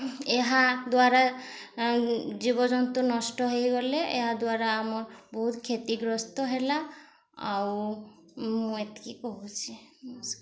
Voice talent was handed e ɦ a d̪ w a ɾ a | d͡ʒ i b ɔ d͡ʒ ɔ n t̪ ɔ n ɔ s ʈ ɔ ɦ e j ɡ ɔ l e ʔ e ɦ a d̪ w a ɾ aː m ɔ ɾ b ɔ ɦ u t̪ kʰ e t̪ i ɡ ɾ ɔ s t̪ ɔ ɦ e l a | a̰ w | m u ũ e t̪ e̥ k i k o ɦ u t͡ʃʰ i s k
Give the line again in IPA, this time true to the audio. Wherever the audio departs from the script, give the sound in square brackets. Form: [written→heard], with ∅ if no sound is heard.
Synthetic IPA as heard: e ɦ a d̪ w a ɾ a | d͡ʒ i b ɔ d͡ʒ ɔ n t̪ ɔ n ɔ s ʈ ɔ ɦ e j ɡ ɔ l e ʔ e ɦ a d̪ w a ɾ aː m ɔ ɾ b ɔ ɦ u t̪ kʰ e t̪ i ɡ ɾ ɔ s t̪ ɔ ɦ e l a | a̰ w | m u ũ e t̪ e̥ k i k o ɦ u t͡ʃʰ i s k